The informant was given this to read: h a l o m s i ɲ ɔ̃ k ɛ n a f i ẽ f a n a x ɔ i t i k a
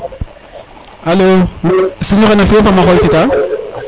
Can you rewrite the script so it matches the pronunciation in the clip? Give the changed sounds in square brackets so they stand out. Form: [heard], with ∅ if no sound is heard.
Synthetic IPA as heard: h a l o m s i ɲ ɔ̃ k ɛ n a f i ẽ f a [m] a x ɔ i t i [t] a